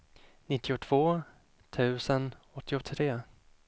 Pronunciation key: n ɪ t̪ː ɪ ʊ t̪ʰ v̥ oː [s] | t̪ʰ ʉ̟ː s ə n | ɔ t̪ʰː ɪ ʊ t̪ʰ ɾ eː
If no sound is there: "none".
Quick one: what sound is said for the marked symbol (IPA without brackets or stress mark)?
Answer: none